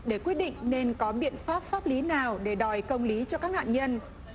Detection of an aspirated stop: absent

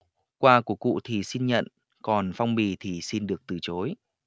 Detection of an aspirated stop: present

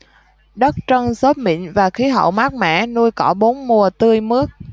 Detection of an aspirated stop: absent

